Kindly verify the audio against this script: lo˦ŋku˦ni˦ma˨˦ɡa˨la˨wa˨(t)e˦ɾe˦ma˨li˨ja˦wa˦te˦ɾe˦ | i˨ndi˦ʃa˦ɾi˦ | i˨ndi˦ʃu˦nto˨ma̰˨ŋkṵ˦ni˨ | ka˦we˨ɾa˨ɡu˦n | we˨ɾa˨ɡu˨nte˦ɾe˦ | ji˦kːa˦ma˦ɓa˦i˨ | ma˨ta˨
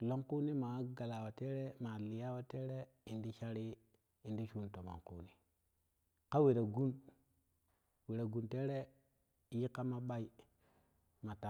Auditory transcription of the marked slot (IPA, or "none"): t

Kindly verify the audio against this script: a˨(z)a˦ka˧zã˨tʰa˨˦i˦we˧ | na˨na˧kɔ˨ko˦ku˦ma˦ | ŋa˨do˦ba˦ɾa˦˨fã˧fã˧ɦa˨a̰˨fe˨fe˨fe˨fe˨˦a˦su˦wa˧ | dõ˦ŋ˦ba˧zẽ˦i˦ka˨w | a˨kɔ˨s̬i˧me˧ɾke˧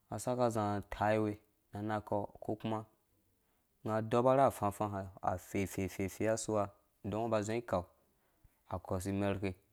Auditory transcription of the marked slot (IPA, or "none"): s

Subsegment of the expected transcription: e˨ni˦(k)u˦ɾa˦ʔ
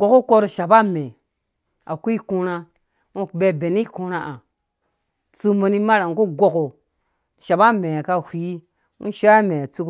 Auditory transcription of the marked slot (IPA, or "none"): k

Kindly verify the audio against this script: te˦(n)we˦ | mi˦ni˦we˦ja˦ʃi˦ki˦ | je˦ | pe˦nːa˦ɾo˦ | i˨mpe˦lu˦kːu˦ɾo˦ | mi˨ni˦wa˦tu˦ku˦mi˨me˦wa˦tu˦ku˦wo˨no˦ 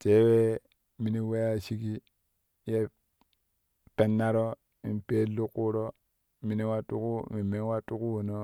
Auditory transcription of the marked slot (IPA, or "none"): none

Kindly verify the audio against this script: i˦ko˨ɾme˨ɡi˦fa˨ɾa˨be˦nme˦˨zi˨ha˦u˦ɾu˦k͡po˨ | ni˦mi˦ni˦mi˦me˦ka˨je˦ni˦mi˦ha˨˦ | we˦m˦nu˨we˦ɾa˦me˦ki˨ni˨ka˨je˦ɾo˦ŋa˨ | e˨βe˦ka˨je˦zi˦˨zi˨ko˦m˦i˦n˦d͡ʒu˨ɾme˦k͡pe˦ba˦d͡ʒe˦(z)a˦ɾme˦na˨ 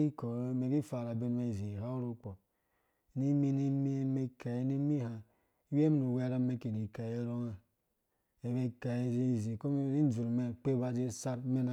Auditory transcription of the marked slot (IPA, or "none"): s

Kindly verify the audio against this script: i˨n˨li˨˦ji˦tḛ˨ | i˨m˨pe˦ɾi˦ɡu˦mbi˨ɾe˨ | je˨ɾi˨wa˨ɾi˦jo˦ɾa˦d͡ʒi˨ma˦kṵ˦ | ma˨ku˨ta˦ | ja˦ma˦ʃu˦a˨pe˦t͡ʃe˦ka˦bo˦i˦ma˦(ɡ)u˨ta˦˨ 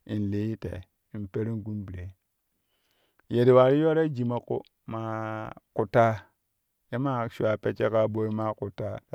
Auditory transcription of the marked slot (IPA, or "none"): k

